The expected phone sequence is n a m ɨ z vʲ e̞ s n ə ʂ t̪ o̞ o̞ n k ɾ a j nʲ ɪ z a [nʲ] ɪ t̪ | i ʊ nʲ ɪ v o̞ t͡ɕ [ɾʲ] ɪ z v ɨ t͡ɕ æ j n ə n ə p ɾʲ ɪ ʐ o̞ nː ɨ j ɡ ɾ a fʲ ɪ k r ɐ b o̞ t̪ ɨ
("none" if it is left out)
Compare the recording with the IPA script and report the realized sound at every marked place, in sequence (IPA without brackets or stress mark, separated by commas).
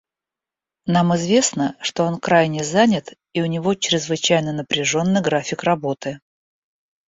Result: nʲ, ɾʲ